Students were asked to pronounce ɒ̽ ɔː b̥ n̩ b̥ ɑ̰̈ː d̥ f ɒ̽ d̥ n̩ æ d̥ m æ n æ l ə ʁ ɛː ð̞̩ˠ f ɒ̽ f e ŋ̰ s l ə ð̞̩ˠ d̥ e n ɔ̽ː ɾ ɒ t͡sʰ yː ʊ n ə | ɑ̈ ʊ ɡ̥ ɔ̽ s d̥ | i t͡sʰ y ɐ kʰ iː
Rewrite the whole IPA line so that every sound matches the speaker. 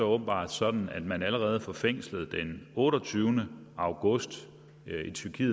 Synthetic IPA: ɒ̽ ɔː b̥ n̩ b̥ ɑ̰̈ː d̥ s ɒ̽ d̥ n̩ æ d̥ m æ n æ l ə ʁ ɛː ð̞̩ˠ f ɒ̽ f e ŋ̰ s l ə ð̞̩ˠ d̥ e n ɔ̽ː ɾ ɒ t͡sʰ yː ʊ n ə | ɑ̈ ʊ ɡ̥ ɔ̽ s d̥ | i t͡sʰ y ɐ kʰ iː